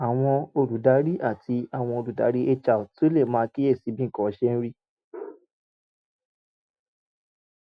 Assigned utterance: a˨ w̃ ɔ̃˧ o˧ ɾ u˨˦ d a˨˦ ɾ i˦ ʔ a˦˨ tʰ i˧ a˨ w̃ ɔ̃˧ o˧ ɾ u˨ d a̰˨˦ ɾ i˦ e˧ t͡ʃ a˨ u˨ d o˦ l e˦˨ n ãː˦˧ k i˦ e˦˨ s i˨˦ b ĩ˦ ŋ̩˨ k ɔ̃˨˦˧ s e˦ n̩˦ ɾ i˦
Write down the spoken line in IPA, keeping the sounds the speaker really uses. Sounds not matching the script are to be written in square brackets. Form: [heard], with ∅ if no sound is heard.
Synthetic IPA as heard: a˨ w̃ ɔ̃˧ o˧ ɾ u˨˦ d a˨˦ ɾ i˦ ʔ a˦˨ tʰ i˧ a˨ w̃ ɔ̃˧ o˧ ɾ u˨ d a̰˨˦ ɾ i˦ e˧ t͡ʃ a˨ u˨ [t] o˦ l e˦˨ [m] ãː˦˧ k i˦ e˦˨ s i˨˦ b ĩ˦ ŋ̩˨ k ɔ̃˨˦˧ [ʃ] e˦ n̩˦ ɾ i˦